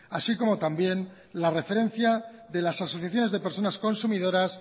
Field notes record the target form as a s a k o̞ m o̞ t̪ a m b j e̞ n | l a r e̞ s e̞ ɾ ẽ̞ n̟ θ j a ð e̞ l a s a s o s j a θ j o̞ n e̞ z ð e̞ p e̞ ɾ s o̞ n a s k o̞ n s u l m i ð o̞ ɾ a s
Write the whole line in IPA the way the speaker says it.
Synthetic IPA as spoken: a s i k o̞ m o̞ t̪ a m b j e̞ n | l a r e̞ f e̞ ɾ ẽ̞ n̟ θ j a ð e̞ l a s a s o θ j a θ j o̞ n e̞ z ð e̞ p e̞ ɾ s o̞ n a s k o̞ n s u m i ð o̞ ɾ a s

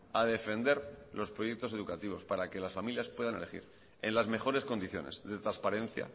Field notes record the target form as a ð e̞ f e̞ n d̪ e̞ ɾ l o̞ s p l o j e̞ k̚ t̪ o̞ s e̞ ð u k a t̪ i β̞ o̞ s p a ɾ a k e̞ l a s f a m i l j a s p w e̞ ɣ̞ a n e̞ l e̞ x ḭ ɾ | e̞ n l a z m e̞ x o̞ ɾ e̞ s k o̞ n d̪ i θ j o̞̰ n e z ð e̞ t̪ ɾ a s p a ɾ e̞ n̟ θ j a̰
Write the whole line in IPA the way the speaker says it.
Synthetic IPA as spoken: a ð e̞ f e̞ n d̪ e̞ ɾ l o̞ s p ɾ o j e̞ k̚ t̪ o̞ s e̞ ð u k a t̪ i β̞ o̞ s p a ɾ a k e̞ l a s f a m i l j a s p w e̞ ð̞ a n e̞ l e̞ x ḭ ɾ | e̞ n l a z m e̞ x o̞ ɾ e̞ s k o̞ n d̪ i θ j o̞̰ n e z ð e̞ t̪ ɾ a s p a ɾ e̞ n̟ θ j a̰

